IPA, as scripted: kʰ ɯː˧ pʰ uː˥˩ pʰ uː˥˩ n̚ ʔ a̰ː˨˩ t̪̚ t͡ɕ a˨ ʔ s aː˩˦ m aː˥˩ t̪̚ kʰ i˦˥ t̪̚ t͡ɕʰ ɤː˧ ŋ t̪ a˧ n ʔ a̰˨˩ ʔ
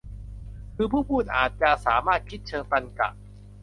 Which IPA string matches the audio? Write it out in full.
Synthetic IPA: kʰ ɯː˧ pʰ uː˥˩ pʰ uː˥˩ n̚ ʔ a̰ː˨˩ t̪̚ t͡ɕ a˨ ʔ s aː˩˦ m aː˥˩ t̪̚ kʰ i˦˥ t̪̚ t͡ɕʰ ɤː˧ ŋ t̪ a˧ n k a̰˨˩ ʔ